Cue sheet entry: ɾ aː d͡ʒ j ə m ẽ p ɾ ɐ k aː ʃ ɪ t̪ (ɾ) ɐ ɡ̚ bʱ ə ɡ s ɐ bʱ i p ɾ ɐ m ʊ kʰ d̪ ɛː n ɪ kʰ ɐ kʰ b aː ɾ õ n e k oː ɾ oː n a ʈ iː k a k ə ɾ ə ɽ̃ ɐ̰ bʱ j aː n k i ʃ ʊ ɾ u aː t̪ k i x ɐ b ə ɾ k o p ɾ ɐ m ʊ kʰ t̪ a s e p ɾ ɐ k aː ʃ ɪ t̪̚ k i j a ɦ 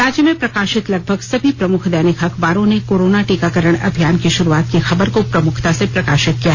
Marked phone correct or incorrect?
incorrect